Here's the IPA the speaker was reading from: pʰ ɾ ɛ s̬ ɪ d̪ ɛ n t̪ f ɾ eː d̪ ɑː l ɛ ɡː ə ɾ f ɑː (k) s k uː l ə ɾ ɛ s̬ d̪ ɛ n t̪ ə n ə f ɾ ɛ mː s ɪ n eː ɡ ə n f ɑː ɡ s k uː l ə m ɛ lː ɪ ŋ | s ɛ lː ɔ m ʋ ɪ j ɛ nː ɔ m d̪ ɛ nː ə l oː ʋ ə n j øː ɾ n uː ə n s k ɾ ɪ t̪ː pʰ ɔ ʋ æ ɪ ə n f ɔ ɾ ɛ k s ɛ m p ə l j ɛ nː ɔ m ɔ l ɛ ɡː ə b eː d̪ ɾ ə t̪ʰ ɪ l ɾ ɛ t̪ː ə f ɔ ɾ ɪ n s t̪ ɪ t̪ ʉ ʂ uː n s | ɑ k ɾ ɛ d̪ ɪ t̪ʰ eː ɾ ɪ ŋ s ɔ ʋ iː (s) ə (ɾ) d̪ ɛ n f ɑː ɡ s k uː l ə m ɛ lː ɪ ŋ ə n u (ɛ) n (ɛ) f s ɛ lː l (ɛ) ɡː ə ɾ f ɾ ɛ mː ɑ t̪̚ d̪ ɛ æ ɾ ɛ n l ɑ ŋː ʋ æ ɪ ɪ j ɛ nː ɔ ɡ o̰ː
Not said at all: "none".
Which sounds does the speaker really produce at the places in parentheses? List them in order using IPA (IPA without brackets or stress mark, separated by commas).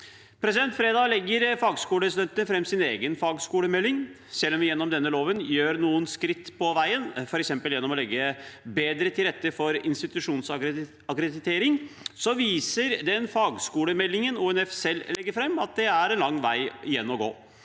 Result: ɡ, s, ɾ, ɛ, ɛ, ɛ